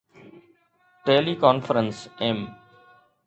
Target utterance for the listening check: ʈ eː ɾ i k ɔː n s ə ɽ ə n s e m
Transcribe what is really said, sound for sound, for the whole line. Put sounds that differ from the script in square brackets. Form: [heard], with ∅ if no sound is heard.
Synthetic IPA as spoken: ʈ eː [l] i k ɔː n [f] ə [ɾ] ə n s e m